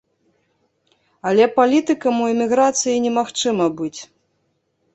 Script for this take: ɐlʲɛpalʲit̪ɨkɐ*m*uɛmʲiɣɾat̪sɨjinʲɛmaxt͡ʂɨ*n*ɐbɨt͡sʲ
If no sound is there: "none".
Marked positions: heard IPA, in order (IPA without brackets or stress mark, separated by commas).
m, m